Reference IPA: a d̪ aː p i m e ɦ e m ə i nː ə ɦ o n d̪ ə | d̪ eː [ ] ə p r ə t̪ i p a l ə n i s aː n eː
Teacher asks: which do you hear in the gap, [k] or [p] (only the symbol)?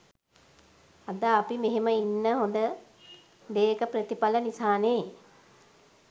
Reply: k